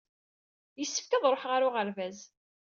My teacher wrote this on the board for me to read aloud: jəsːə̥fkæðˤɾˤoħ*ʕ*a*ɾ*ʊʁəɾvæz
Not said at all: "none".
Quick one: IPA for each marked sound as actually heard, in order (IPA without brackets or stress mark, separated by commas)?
ʁ, ɾ